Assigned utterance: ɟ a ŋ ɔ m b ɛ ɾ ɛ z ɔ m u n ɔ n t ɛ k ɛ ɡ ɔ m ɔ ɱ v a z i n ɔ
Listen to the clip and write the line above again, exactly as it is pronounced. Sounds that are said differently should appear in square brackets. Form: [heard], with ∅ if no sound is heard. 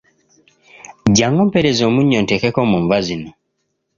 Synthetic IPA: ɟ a ŋ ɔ m [p] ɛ ɾ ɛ z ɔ m u [ɲ] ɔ n t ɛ k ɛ [k] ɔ m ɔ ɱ v a z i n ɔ